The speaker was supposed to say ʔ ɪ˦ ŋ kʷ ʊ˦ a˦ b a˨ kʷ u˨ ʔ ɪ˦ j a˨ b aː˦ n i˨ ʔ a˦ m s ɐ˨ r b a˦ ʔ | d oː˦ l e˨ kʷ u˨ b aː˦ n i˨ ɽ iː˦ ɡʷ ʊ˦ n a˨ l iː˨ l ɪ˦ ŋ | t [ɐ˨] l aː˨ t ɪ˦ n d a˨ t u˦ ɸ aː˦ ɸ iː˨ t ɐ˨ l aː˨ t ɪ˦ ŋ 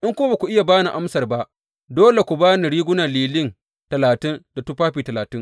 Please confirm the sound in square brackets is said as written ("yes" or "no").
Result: yes